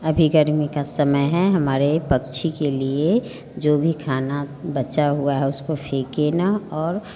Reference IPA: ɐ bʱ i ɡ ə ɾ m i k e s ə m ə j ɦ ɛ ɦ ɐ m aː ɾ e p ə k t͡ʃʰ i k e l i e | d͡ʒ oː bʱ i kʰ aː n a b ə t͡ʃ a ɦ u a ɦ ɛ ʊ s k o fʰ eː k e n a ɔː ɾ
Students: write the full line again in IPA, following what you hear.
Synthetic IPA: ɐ bʱ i ɡ ə ɾ m i k a s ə m ə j ɦ ɛ ɦ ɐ m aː ɾ e p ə k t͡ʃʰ i k e l i e | d͡ʒ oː bʱ i kʰ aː n a b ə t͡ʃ a ɦ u a ɦ ɛ ʊ s k o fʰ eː k e n a ɔː ɾ